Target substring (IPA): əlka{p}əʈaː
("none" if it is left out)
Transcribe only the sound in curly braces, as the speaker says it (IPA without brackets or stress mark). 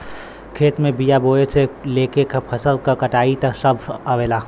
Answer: k